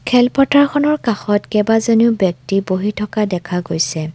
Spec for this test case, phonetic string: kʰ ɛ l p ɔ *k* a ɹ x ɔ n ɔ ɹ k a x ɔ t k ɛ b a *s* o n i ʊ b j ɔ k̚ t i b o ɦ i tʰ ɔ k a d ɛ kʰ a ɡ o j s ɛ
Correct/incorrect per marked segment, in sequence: incorrect: t, incorrect: z

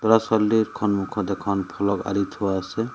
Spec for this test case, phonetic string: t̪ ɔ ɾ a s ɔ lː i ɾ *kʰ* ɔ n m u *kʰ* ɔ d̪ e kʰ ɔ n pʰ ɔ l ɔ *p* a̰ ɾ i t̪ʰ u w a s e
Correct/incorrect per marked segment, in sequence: correct, correct, incorrect: k

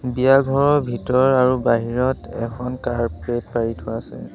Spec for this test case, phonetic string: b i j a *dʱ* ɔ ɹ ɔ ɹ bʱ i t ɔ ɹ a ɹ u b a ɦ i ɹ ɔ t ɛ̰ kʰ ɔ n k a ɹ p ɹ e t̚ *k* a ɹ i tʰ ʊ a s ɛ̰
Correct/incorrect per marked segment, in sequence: incorrect: ɡʱ, incorrect: p

